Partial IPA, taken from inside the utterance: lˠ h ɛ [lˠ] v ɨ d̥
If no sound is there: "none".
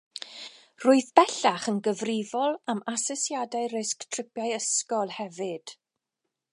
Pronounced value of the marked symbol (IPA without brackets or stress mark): none